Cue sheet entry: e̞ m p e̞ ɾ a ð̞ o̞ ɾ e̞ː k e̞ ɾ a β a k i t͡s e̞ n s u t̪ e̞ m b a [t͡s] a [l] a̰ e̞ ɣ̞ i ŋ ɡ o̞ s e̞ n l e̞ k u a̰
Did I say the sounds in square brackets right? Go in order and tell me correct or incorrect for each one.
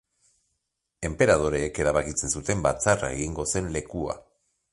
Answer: correct, incorrect: r

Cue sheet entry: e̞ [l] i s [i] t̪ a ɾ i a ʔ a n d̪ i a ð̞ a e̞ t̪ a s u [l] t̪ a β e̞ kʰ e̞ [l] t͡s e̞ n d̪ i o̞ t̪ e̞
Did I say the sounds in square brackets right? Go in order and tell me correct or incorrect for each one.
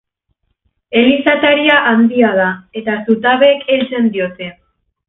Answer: correct, incorrect: a, incorrect: none, correct

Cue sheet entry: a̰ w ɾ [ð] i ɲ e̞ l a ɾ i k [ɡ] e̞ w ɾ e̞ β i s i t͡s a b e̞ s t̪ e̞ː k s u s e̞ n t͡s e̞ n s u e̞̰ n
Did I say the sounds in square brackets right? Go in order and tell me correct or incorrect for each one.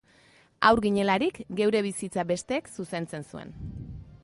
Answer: incorrect: ɣ, correct

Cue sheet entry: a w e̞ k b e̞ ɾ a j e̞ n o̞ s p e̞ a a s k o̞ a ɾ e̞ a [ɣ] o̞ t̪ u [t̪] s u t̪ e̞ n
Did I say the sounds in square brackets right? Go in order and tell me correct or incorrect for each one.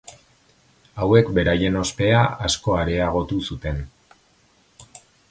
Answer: correct, incorrect: none

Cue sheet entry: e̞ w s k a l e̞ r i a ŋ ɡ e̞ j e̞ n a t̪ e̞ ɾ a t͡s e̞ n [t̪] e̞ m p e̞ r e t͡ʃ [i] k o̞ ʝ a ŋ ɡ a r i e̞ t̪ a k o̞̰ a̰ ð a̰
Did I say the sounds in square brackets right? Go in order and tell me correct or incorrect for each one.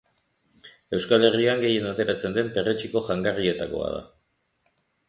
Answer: incorrect: d̪, correct

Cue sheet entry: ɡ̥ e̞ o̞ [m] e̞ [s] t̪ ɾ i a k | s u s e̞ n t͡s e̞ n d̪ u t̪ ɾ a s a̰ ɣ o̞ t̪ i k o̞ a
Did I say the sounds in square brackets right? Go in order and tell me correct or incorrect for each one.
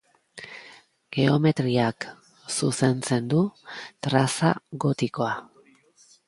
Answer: correct, incorrect: none

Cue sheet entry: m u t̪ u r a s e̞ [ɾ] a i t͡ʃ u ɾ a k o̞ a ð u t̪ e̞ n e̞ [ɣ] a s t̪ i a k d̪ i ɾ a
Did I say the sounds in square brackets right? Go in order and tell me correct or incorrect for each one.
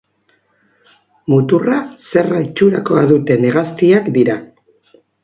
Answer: incorrect: r, correct

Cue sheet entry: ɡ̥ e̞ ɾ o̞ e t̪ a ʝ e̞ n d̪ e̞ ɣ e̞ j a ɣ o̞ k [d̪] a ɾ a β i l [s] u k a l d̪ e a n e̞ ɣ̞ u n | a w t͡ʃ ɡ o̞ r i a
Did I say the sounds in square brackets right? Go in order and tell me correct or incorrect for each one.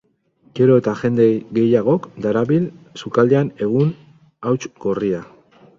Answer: correct, correct

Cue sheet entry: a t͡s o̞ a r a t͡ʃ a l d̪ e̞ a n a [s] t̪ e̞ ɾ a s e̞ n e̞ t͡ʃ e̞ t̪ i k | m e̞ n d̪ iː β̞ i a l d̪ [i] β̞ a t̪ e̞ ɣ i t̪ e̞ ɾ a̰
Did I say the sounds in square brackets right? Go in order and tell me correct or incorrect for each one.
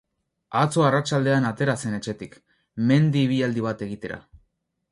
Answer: incorrect: none, correct

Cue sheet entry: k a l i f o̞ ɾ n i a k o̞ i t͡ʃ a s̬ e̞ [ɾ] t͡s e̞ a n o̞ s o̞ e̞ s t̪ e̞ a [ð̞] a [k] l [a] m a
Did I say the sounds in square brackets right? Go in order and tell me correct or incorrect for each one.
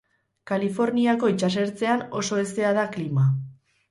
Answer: correct, correct, correct, incorrect: i

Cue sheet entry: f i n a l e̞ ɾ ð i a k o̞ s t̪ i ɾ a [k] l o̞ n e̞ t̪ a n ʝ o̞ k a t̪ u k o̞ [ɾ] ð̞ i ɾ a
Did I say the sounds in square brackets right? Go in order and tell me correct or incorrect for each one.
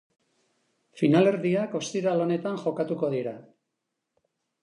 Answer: incorrect: none, incorrect: none

